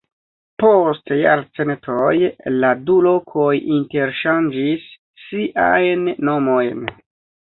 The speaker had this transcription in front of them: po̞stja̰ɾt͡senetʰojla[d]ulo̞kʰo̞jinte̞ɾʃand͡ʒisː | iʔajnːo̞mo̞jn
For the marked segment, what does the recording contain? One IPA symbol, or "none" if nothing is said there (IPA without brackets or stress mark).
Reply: d